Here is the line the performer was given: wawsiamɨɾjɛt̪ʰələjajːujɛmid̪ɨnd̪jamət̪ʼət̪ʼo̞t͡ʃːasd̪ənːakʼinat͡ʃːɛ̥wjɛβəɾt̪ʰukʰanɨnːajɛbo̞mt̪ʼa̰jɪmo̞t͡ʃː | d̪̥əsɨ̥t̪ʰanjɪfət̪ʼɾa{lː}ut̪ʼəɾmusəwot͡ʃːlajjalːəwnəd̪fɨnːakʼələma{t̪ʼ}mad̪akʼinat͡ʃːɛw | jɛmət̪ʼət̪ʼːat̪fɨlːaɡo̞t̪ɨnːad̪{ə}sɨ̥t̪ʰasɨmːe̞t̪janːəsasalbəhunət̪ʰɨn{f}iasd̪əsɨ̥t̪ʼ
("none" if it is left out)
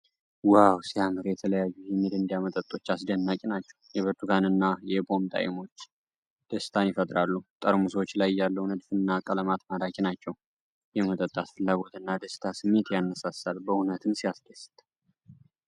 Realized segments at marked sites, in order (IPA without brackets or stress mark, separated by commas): lː, t̪, ə, s